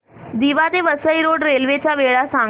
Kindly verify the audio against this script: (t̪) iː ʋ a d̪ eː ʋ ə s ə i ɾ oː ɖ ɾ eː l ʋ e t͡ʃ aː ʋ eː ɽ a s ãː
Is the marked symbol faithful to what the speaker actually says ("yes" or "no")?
no